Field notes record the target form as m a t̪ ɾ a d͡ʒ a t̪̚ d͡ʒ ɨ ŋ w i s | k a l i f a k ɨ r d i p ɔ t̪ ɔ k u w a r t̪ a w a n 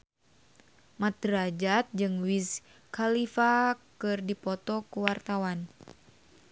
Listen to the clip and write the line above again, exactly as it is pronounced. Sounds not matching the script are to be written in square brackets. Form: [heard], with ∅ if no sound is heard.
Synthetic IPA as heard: m a t̪ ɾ a d͡ʒ a t̪̚ d͡ʒ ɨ ŋ w i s | k a l i f a k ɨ r d i p ɔ t̪ ɔ k u w a r t̪ a w a n